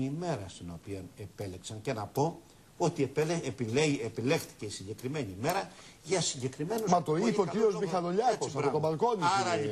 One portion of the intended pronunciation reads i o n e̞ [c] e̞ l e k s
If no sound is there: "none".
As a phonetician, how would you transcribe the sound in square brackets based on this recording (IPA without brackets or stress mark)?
p